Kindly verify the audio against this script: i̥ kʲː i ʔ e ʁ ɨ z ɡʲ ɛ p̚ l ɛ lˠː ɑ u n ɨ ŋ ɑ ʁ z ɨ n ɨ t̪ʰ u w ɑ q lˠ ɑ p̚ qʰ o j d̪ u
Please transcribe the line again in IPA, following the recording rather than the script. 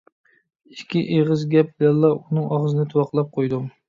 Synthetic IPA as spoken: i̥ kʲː i ʔ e ʁ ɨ z ɡʲ ɛ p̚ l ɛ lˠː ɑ u n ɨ ŋ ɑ ʁ z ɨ n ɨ t̪ʰ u w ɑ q lˠ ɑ p̚ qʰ o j d̪ u